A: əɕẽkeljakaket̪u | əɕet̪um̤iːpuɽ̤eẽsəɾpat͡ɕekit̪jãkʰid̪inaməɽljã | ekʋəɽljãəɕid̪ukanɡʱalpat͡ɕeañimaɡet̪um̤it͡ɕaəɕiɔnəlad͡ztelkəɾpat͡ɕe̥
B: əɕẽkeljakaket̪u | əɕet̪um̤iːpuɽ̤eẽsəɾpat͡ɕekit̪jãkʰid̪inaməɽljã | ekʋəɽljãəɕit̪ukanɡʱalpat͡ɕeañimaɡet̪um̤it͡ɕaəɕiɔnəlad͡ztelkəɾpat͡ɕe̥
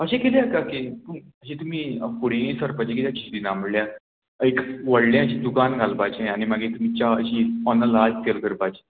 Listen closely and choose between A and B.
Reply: A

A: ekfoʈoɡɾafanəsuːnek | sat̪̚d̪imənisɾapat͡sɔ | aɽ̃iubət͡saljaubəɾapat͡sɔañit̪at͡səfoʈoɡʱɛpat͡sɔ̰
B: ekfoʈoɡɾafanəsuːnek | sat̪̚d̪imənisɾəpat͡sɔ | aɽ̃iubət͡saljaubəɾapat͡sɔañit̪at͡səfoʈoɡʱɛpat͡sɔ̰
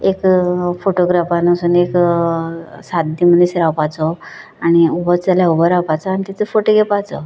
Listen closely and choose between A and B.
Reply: A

